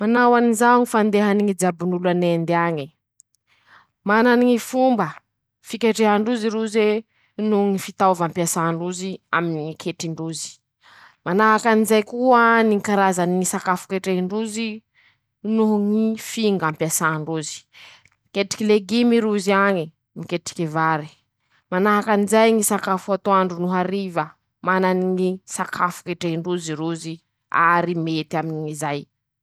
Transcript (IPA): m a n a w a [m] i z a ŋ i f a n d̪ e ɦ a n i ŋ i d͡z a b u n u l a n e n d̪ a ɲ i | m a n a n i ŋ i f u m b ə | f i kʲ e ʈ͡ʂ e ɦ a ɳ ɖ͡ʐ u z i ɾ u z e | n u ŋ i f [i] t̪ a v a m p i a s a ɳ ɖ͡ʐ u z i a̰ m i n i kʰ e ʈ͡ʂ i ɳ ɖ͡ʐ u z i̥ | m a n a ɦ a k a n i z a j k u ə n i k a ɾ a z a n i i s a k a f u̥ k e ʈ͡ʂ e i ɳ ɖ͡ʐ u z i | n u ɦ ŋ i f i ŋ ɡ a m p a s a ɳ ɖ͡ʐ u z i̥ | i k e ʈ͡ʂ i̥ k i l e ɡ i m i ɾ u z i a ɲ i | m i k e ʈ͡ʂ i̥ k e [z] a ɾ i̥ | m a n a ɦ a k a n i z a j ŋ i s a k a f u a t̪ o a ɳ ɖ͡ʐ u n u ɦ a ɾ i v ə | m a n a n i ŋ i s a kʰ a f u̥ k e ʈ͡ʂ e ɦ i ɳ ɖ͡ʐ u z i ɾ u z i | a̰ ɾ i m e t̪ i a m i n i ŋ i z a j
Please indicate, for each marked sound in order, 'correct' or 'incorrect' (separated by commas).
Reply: incorrect, correct, incorrect